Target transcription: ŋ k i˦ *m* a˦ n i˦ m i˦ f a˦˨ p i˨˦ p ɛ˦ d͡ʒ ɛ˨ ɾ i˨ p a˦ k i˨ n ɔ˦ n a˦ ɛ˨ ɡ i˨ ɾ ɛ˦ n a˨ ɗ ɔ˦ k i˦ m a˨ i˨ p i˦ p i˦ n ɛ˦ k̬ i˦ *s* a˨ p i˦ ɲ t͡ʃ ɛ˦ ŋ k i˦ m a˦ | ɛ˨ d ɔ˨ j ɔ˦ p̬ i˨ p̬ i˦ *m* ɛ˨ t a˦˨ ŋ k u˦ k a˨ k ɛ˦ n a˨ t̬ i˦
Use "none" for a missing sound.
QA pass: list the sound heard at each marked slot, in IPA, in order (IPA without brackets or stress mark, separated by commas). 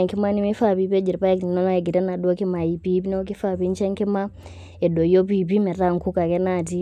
m, f, m